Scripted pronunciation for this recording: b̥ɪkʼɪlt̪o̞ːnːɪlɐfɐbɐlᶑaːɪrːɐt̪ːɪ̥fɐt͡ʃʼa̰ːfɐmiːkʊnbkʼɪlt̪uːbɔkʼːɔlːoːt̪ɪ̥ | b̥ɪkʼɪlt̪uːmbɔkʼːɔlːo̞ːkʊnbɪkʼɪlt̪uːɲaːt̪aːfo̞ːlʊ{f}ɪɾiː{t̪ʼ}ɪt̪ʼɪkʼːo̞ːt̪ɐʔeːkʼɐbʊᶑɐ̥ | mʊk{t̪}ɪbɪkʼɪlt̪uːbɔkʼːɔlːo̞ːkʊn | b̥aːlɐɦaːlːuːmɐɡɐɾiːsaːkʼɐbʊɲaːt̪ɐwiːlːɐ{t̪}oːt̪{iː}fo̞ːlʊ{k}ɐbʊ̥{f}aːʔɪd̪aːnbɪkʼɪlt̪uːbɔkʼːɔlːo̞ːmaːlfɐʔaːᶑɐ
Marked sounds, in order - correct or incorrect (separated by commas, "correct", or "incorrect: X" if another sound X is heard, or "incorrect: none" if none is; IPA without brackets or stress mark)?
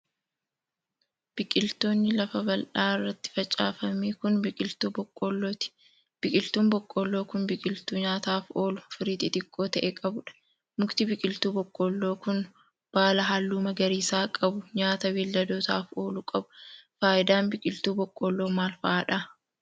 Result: correct, incorrect: t̪, correct, incorrect: d̪, incorrect: aː, incorrect: kʼ, correct